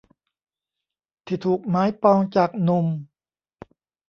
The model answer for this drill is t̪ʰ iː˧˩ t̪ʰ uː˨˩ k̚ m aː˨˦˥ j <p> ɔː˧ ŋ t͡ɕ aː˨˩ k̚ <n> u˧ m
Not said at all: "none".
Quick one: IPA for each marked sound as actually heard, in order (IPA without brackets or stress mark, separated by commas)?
p, n